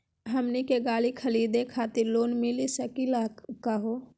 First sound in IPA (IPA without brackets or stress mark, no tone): ɦ